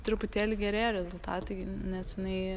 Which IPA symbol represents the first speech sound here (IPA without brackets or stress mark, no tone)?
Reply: t̪